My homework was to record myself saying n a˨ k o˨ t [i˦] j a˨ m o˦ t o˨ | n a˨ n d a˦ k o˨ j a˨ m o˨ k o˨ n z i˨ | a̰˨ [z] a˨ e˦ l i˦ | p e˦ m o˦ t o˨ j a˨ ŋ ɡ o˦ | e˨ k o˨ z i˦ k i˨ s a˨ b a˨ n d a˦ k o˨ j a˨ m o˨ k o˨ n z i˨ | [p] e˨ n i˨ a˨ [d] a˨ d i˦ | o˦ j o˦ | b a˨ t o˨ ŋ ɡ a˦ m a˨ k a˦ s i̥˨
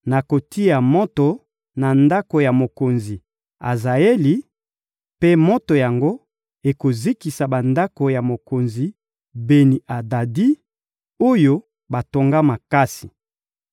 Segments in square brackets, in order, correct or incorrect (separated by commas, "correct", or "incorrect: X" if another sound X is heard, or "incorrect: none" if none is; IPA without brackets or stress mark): correct, correct, incorrect: b, correct